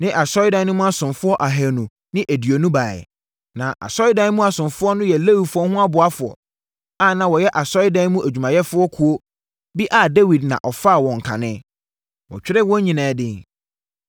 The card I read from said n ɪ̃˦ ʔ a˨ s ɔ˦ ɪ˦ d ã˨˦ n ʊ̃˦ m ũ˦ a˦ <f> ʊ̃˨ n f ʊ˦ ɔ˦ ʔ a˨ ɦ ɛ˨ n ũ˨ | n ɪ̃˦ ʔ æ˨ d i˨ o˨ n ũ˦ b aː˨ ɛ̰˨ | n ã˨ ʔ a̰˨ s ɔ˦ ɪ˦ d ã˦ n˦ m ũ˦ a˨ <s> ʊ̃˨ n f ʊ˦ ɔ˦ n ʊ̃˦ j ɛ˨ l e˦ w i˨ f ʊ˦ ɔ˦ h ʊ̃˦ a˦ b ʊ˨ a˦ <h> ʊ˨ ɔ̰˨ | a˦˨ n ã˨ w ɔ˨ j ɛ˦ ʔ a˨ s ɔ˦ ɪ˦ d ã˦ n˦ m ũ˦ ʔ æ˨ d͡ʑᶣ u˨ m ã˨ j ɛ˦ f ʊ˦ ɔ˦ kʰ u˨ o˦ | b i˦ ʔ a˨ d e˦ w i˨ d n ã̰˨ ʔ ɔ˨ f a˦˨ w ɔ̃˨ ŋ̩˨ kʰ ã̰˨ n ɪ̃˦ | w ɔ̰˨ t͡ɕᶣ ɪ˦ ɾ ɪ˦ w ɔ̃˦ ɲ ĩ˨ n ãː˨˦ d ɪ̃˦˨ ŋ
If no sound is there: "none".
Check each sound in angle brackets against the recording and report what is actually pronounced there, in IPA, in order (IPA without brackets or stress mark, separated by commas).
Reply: s, s, f